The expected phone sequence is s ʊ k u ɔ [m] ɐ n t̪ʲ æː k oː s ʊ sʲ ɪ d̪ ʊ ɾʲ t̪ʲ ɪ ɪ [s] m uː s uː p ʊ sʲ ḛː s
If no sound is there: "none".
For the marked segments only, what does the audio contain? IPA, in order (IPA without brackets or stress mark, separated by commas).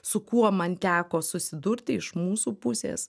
m, ʃ